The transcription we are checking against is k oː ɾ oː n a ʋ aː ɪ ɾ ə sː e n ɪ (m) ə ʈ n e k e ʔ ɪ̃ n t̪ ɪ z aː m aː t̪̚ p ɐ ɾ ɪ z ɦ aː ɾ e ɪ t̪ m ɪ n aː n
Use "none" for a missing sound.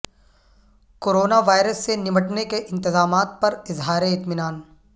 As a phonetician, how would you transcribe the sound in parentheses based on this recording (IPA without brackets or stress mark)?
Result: m